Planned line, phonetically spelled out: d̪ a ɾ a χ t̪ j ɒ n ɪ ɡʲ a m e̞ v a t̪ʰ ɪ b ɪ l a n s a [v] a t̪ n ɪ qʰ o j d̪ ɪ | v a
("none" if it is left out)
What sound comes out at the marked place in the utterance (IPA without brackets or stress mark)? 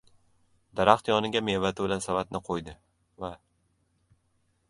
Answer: v